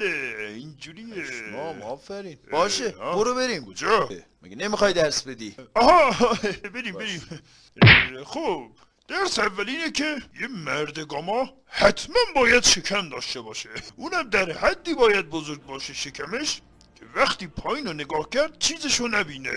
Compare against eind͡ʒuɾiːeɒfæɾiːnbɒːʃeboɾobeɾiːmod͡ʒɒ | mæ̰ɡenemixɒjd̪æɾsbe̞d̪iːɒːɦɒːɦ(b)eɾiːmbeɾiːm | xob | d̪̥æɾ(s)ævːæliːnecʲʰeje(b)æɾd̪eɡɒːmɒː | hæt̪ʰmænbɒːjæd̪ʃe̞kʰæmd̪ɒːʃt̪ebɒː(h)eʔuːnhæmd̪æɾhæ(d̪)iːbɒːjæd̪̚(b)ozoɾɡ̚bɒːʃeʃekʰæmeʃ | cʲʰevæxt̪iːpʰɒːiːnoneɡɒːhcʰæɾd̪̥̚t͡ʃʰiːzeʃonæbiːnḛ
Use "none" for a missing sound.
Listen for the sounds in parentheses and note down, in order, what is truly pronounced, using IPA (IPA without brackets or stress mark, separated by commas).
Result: b, s, m, ʃ, d̪ː, b